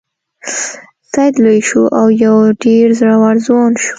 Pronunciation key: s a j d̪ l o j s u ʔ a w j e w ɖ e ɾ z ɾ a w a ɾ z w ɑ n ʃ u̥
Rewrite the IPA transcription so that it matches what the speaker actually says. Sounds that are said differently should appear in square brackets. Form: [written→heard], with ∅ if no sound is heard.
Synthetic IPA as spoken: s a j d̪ l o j [s→ʃ] u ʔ a w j [e→a] w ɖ e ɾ z ɾ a w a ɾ z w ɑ n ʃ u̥